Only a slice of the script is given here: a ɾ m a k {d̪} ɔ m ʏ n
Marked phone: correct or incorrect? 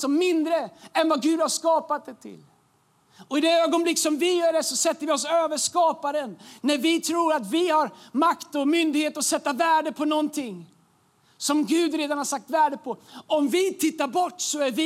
incorrect